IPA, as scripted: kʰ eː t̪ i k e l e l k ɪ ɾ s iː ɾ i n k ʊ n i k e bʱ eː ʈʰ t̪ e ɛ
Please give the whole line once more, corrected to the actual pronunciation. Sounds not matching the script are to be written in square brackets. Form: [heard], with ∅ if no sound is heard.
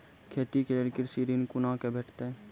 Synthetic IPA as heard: kʰ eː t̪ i k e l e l k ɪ ɾ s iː ɾ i n k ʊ n [a] k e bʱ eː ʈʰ t̪ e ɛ